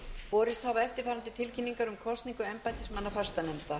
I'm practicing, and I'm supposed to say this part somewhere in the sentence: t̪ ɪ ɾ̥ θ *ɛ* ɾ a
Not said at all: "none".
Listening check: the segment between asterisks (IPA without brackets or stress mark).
a